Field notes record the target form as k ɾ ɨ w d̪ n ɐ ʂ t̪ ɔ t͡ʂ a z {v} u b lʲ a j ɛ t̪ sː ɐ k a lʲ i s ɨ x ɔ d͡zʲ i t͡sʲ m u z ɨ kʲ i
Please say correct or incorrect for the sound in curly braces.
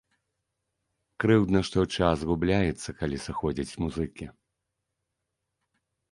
incorrect